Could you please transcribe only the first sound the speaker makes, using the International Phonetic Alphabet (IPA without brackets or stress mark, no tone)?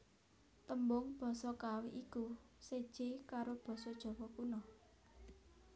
t̪